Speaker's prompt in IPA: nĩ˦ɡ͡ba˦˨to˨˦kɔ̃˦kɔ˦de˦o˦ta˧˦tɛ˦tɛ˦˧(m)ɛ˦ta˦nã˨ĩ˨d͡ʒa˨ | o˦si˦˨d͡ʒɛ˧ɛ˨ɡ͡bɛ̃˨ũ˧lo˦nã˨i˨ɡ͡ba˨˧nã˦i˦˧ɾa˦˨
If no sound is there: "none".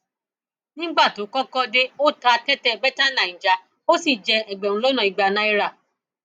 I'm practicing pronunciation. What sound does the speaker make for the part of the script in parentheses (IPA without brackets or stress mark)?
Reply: b